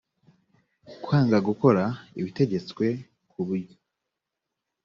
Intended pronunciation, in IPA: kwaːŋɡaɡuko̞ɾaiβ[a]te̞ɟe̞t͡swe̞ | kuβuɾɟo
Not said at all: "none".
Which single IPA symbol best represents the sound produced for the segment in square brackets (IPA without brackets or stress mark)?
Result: i